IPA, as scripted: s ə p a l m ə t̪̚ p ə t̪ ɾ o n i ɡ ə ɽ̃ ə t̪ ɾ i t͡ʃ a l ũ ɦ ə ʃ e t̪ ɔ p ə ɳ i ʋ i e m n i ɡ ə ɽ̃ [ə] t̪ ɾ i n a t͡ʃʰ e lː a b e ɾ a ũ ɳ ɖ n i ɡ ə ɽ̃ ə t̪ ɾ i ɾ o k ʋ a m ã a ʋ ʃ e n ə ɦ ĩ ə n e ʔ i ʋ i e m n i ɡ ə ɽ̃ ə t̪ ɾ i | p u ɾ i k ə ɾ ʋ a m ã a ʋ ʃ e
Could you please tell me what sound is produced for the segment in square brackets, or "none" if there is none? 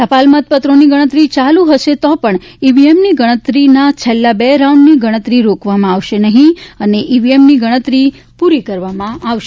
ə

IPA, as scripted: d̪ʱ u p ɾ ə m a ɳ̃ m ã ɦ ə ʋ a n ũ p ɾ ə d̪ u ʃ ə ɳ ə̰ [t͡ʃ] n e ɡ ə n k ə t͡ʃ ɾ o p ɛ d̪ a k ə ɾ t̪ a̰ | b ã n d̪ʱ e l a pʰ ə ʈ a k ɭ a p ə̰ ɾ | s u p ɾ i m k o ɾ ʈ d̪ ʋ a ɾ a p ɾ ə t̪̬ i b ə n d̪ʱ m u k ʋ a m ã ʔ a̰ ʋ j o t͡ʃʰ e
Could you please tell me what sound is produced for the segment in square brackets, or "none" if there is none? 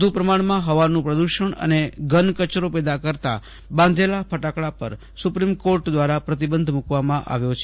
none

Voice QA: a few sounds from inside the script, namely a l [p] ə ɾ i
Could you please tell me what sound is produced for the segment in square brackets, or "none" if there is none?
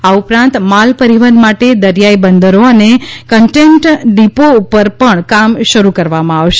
p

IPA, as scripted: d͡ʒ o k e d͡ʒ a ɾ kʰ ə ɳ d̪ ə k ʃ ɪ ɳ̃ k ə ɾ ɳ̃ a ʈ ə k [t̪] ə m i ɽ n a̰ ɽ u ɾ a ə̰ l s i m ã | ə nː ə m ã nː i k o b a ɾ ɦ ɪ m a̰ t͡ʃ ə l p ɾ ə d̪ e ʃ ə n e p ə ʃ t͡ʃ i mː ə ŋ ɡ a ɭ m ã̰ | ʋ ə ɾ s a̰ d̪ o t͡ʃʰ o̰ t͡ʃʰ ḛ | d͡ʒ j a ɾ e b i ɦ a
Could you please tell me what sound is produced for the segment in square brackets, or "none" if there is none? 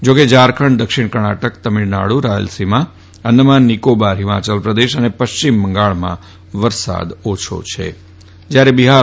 t̪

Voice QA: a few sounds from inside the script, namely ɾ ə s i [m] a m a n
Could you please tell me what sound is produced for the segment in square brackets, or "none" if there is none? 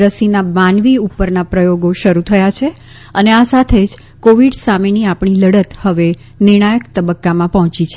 n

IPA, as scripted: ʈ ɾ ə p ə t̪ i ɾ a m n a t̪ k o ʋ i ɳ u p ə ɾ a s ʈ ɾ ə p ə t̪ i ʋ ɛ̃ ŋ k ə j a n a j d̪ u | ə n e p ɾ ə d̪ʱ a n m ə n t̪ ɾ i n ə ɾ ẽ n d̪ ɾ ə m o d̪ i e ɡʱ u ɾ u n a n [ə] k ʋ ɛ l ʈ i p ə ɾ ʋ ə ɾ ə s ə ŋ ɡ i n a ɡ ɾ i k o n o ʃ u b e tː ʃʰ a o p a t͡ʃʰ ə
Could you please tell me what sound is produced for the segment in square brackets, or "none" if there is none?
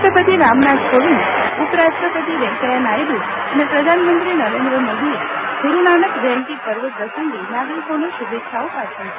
ə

